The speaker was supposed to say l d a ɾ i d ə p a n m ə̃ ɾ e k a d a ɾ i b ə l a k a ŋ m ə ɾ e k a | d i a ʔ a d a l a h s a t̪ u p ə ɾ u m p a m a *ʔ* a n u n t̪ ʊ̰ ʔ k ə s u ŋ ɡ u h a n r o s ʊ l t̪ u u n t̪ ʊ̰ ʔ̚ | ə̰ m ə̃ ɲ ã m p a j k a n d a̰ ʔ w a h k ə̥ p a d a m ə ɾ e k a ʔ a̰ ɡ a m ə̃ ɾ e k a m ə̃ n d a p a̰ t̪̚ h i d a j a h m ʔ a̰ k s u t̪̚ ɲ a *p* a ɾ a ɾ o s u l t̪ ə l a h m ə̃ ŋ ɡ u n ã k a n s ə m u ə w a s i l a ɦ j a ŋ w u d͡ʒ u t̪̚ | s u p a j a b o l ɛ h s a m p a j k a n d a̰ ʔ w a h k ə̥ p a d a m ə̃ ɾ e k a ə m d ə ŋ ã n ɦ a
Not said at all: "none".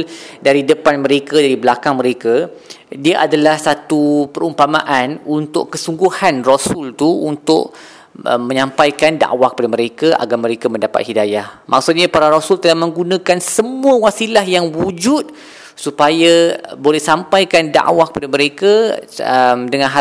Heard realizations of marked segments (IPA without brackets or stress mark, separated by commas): ʔ, p